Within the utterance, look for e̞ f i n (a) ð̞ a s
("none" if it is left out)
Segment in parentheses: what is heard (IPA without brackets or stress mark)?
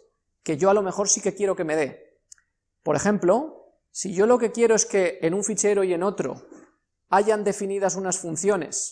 i